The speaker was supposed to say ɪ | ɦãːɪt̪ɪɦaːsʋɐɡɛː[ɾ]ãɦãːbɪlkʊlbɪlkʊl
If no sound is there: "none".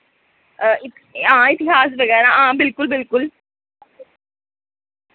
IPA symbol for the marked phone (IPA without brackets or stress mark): ɾ